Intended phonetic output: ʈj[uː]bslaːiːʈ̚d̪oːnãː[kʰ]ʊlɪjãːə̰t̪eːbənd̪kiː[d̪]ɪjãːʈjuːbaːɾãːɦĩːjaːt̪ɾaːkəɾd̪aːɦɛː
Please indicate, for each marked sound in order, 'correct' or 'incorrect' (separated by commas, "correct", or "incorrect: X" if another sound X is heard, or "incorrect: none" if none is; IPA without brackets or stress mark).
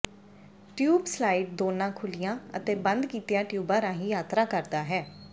correct, correct, incorrect: t̪